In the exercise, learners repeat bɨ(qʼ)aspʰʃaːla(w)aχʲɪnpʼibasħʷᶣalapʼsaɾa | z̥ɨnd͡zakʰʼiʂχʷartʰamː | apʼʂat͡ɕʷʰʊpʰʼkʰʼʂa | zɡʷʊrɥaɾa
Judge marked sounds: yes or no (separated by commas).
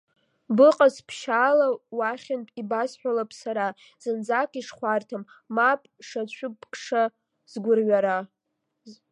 yes, yes